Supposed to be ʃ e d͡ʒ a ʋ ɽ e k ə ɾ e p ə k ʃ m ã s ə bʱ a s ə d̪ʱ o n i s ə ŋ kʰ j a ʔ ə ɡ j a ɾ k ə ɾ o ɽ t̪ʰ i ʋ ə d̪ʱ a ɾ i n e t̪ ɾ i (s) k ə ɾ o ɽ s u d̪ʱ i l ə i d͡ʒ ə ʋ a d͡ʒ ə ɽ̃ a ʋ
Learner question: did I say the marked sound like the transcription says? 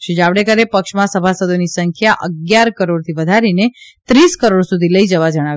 yes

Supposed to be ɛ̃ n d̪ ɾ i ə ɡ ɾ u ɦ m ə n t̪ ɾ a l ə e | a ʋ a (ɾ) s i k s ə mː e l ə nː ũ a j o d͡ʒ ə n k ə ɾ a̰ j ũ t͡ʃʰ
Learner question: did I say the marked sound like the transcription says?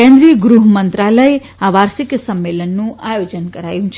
yes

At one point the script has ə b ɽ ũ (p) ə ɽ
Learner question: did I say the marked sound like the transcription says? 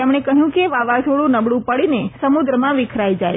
yes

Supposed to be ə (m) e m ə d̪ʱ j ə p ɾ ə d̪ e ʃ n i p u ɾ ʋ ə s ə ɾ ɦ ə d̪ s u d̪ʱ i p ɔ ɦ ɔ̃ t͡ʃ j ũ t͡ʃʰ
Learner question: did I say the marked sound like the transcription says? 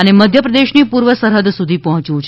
no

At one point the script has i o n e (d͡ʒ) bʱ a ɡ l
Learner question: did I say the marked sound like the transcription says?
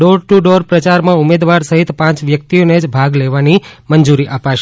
yes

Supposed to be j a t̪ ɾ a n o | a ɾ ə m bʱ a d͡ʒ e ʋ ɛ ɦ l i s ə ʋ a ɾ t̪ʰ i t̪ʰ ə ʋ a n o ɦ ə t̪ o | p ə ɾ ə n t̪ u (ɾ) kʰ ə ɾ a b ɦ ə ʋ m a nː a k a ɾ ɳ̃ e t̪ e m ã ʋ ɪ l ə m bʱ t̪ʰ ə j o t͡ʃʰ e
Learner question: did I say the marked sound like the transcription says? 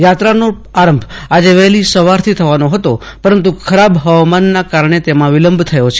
no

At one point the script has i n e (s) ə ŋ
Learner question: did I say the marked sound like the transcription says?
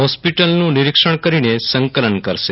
yes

